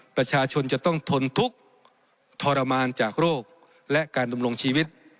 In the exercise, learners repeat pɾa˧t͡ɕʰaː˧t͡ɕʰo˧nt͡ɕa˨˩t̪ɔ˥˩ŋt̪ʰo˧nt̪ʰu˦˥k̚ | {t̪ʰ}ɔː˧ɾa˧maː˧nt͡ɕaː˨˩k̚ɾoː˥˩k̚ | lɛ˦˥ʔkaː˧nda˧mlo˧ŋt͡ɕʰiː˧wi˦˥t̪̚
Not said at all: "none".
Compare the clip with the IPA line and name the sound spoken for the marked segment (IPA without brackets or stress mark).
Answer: t̪ʰ